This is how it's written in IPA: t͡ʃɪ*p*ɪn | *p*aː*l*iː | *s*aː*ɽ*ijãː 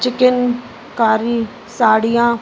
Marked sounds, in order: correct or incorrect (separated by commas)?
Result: incorrect, incorrect, incorrect, correct, correct